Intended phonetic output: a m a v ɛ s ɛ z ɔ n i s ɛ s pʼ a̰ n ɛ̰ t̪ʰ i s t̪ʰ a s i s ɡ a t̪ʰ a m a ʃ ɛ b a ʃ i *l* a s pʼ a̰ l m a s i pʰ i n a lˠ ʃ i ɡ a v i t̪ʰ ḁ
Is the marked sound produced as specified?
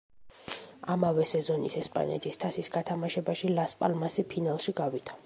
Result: yes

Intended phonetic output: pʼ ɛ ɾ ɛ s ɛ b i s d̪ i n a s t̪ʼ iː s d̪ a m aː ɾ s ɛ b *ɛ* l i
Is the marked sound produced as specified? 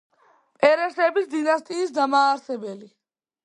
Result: yes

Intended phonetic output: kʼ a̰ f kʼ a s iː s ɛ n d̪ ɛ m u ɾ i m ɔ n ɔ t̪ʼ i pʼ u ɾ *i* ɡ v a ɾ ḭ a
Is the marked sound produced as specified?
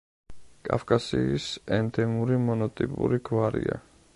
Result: yes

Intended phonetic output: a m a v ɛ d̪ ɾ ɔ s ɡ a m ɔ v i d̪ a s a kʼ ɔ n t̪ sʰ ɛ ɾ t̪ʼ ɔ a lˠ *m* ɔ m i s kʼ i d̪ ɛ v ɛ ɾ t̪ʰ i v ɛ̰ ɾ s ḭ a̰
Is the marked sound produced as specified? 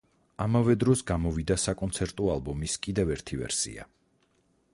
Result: no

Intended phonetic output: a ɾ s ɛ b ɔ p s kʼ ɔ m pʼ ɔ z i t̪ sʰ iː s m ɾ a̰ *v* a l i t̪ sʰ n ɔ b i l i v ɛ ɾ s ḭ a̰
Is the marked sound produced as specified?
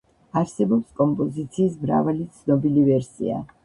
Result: yes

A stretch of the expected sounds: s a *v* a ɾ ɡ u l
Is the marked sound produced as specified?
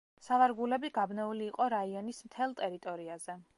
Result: yes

